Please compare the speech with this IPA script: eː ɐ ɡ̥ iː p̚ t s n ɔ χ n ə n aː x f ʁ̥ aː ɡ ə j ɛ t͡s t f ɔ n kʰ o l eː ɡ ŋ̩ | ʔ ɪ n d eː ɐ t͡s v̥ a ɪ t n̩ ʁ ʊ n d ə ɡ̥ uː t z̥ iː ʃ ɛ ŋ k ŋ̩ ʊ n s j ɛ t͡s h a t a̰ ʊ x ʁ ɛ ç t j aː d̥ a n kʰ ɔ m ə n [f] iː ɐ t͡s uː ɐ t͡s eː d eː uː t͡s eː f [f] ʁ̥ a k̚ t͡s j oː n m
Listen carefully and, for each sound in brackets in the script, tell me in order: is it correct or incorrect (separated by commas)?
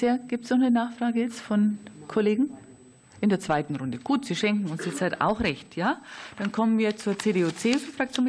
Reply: incorrect, correct